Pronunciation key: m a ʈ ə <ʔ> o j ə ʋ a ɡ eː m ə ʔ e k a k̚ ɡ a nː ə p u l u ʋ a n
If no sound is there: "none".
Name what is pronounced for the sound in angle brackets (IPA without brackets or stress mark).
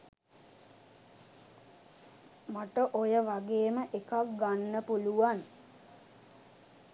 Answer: ʔ